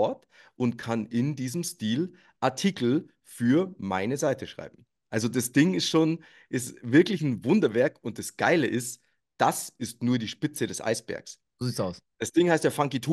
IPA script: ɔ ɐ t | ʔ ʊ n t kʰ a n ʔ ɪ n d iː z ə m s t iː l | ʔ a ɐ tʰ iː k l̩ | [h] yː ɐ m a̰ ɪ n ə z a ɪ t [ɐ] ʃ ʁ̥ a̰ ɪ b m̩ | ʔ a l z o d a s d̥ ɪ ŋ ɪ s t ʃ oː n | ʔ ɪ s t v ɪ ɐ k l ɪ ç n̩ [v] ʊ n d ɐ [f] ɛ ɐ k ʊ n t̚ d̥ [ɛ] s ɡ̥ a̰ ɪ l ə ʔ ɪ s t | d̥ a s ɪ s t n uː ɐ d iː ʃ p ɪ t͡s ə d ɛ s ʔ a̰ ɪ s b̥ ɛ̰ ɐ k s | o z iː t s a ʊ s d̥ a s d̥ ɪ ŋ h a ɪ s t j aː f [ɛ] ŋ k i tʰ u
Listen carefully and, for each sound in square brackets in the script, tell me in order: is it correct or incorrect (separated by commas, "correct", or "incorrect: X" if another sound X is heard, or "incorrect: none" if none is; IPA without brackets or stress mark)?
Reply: incorrect: f, incorrect: ə, correct, incorrect: v, incorrect: a, incorrect: a